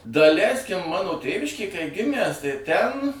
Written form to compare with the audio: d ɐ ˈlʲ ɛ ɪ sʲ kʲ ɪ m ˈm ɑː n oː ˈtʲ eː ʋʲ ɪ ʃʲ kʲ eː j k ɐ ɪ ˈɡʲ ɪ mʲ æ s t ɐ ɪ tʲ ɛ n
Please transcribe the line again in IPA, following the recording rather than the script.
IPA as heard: d ɐ ˈlʲ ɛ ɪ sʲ kʲ ɪ m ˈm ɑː n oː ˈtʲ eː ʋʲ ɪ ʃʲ kʲ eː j k ɐ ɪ ˈɡʲ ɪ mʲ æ s t ɐ ɪ tʲ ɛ n